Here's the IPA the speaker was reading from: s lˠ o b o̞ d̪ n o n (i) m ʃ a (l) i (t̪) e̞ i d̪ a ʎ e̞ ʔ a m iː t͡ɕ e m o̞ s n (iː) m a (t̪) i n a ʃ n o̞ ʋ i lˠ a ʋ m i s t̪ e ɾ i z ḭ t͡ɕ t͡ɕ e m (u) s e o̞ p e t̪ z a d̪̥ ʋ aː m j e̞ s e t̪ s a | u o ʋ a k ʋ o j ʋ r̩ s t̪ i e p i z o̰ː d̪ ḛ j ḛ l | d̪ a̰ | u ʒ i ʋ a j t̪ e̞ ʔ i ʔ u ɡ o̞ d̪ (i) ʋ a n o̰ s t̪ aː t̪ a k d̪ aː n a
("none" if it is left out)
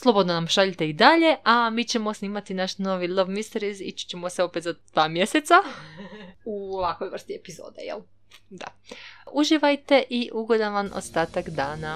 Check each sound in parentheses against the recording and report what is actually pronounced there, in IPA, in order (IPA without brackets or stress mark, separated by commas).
a, ʎ, t̪, iː, t̪, o, a